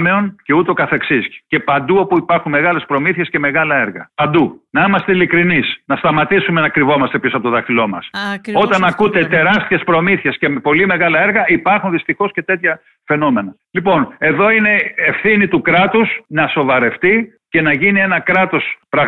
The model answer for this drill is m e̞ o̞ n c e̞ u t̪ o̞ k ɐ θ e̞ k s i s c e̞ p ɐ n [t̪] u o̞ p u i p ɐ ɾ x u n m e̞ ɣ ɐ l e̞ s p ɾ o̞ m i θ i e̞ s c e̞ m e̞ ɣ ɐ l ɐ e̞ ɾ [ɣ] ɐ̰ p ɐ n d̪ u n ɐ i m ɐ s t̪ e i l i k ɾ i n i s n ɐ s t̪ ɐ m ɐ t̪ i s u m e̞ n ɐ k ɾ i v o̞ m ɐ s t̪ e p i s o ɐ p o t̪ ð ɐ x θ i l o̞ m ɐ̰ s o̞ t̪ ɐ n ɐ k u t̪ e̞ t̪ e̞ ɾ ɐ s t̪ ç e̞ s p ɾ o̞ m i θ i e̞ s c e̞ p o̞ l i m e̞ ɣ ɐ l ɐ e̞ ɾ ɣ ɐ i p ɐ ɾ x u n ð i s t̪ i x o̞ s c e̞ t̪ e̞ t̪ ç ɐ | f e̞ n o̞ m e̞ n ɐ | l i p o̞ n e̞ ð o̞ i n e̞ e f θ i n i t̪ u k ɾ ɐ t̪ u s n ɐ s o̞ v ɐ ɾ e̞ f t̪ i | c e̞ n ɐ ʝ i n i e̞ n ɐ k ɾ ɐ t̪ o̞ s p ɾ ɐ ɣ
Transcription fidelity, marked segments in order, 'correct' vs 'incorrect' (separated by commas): incorrect, correct